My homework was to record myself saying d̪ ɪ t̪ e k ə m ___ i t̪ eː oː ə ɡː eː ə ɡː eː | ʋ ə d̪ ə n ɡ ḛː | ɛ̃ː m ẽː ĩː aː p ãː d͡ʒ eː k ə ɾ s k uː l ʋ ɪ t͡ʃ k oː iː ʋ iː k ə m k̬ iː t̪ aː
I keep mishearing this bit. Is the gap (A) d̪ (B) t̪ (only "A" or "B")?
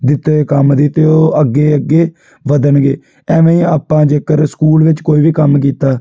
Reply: A